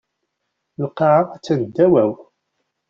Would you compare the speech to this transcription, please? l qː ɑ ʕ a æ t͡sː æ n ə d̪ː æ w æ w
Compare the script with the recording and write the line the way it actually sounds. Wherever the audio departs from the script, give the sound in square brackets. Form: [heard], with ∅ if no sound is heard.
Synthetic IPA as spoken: l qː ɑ ʕ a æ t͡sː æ n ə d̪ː æ w æ w